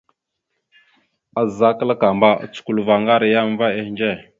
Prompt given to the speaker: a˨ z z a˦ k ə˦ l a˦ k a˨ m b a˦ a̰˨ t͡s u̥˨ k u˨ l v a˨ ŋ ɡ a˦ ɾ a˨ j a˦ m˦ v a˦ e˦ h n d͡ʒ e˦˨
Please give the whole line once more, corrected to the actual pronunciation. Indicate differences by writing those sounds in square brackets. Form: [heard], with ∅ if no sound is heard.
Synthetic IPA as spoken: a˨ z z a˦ k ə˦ l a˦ k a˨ m b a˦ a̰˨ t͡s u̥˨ k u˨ l v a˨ ŋ ɡ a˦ ɾ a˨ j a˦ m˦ v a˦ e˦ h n d͡ʒ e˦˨